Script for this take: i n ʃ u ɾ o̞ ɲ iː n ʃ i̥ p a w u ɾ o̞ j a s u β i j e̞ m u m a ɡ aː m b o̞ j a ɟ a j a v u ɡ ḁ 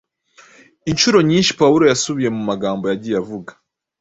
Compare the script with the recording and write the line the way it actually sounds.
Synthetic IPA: i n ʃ u ɾ o̞ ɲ iː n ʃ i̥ p a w u ɾ o̞ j a s u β i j e̞ m u m a ɡ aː m b o̞ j a ɟ i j a v u ɡ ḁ